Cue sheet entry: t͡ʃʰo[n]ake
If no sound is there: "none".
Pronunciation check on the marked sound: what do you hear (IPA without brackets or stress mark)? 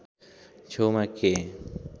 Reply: m